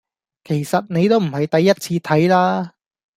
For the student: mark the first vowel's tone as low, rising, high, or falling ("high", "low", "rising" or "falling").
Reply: low